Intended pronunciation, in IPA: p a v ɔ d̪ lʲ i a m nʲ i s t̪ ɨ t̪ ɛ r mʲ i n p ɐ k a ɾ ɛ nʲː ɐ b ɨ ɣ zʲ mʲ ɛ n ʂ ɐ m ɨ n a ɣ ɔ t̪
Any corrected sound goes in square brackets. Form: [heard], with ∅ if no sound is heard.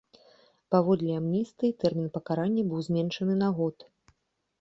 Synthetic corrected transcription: p a v ɔ d̪ lʲ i a m nʲ i s t̪ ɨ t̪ ɛ r mʲ i n p ɐ k a ɾ [a] nʲː ɐ b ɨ [w] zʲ mʲ ɛ n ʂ ɐ [n] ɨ n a ɣ ɔ t̪